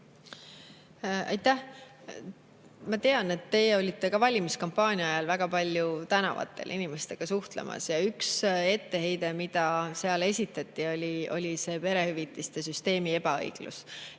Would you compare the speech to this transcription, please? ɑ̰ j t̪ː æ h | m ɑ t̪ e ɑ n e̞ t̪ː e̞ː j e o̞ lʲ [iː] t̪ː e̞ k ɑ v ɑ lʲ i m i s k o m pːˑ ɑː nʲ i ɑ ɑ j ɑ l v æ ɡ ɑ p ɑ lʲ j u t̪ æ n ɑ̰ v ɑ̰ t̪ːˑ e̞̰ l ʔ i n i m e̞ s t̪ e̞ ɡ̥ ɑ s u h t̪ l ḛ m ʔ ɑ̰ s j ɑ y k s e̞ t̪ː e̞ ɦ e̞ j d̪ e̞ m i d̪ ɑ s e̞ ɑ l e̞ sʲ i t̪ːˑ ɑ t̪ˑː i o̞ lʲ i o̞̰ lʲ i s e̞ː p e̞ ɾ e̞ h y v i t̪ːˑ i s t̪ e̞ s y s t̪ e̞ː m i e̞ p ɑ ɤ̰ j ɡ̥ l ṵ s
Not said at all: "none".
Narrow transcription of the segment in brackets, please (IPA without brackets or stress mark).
i